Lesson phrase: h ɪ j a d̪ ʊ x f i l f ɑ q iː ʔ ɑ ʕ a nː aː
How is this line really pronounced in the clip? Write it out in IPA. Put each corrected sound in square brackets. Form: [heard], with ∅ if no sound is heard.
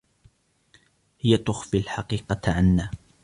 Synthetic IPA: h ɪ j a [t̪] ʊ x f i l [ħ] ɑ q iː [q] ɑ ʕ a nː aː